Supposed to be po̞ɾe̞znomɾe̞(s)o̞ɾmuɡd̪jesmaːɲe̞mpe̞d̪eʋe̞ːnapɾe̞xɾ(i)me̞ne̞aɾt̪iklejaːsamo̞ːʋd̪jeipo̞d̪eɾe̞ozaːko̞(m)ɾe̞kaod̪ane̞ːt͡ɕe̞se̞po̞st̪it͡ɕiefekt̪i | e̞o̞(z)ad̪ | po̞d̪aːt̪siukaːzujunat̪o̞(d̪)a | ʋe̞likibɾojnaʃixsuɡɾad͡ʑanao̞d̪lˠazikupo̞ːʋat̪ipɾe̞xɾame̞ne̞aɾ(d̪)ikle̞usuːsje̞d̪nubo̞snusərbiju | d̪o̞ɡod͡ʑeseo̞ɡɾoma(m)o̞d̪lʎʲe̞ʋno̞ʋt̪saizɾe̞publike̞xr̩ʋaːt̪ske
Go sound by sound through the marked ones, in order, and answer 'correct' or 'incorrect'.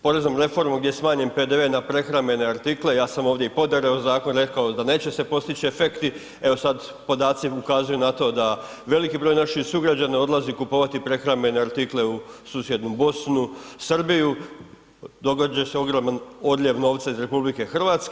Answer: incorrect: f, incorrect: a, incorrect: n, incorrect: s, correct, incorrect: t̪, incorrect: n

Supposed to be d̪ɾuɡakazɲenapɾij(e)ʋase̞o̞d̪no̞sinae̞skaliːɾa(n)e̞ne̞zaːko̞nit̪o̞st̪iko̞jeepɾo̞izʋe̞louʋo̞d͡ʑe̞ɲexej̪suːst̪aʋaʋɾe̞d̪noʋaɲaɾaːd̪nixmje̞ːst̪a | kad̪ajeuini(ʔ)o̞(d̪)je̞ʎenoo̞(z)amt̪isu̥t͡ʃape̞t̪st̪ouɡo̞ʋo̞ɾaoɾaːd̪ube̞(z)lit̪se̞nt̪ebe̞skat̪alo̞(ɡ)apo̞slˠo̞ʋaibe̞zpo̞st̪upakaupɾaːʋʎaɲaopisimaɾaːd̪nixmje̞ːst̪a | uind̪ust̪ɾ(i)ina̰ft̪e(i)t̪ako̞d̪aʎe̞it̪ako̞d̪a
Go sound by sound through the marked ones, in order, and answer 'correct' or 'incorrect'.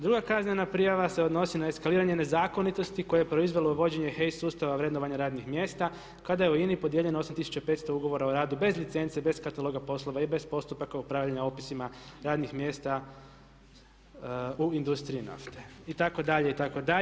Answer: incorrect: a, incorrect: ɲ, incorrect: p, correct, incorrect: s, correct, correct, correct, correct

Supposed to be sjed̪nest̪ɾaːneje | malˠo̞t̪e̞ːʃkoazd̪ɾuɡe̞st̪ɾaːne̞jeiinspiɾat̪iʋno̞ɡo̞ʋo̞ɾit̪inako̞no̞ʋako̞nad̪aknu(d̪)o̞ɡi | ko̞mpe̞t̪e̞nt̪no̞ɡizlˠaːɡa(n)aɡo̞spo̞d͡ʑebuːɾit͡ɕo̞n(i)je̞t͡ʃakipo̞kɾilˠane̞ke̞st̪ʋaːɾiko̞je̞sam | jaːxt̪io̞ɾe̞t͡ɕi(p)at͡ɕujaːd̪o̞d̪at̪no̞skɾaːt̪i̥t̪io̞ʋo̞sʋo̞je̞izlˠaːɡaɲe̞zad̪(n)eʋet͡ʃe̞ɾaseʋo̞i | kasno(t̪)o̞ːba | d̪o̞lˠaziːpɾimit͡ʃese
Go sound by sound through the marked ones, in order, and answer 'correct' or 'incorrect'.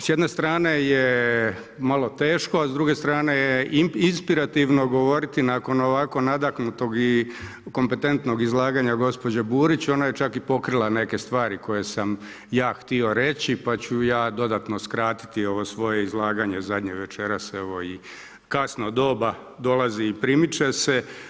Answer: incorrect: t̪, incorrect: ɲ, incorrect: a, correct, incorrect: ɲ, incorrect: d̪

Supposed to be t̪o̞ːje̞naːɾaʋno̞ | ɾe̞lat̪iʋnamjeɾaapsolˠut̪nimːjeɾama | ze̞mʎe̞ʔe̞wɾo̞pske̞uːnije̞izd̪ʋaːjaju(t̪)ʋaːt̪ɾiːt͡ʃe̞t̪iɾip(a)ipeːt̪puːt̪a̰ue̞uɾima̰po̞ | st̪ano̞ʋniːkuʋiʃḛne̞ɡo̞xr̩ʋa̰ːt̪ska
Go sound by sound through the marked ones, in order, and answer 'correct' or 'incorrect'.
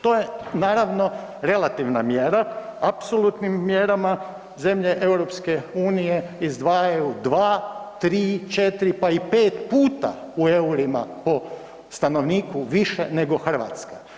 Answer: incorrect: d̪, correct

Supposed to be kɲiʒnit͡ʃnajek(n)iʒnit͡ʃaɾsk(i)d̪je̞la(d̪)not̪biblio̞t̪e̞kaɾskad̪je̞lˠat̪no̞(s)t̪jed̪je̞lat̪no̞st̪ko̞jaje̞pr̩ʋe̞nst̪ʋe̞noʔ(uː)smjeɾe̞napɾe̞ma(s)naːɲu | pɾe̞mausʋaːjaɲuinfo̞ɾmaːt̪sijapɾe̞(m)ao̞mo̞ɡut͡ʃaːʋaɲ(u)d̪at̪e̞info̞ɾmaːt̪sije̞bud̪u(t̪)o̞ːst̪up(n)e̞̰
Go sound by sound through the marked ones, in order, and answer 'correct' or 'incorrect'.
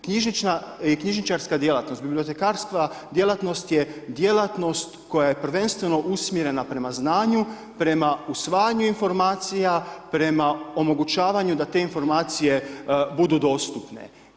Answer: incorrect: ɲ, incorrect: a, incorrect: t̪, correct, incorrect: u, incorrect: z, correct, correct, incorrect: d̪, correct

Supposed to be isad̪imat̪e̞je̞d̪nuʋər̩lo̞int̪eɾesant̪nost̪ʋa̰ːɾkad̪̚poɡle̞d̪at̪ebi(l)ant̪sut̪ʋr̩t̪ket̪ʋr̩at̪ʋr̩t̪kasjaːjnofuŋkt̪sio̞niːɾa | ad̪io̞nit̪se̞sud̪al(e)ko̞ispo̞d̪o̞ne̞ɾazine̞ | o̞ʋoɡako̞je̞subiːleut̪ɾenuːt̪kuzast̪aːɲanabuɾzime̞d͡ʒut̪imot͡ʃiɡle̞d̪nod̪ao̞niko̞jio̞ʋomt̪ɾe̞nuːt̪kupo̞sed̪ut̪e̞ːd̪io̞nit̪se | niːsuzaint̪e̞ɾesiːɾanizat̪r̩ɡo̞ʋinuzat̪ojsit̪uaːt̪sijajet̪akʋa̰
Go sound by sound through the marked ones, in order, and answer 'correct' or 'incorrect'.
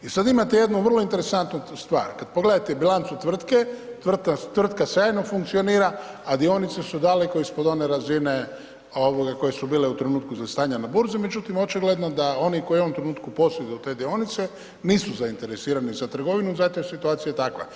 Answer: correct, correct

